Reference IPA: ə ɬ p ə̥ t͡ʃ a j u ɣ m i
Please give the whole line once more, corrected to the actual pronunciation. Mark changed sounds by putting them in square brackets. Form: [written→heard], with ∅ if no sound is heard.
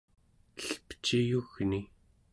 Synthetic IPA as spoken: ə ɬ p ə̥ t͡ʃ [a→i] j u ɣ [m→n] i